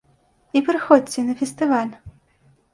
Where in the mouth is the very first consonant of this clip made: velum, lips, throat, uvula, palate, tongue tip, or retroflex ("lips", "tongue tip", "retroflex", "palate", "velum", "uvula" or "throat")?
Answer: lips